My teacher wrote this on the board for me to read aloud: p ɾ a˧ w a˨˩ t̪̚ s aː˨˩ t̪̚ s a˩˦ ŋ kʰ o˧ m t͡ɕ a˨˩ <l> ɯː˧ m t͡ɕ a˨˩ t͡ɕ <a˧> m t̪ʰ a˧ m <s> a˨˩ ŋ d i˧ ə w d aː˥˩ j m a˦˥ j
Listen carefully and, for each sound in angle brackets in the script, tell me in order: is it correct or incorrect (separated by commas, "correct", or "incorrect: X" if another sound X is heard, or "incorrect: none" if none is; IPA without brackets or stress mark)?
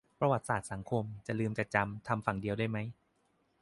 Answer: correct, correct, incorrect: f